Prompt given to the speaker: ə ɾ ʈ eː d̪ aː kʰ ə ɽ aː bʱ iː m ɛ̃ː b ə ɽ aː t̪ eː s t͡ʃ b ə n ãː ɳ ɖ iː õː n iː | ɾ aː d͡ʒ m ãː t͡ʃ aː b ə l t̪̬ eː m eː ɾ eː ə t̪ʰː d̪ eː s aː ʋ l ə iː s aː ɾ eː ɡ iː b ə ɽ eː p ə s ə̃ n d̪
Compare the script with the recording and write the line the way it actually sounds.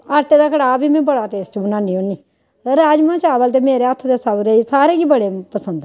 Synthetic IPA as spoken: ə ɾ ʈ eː d̪ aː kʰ ə ɽ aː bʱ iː m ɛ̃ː b ə ɽ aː t̪ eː s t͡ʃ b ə n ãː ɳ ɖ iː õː n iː | ɾ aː d͡ʒ m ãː t͡ʃ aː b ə l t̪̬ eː m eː ɾ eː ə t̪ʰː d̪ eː s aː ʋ ɾ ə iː s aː ɾ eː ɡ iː b ə ɽ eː p ə s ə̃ n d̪